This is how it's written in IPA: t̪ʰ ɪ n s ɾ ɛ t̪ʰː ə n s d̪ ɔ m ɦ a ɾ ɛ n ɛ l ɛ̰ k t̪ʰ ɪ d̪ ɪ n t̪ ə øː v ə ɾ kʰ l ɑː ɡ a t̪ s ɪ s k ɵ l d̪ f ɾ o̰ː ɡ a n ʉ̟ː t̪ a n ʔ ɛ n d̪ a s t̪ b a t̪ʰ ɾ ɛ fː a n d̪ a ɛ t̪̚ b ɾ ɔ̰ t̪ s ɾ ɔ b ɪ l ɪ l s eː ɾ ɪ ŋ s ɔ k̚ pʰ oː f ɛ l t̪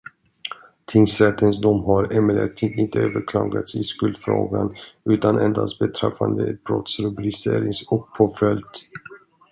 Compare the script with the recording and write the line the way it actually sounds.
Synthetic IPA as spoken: t̪ʰ ɪ ŋ s ɾ ɛ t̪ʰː ə n s d̪ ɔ m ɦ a ɾ ɛ m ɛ l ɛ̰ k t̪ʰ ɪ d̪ ɪ n t̪ ə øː v ə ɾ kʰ l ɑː ɡ a t̪ s ɪ s k ɵ l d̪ f ɾ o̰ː ɡ a n ʉ̟ː t̪ a n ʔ ɛ n d̪ a s t̪ b ɛ t̪ʰ ɾ ɛ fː a n d̪ ə ɛ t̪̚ b ɾ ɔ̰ t̪ s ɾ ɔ b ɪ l ɪ s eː ɾ ɪ ŋ s ɔ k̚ pʰ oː f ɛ l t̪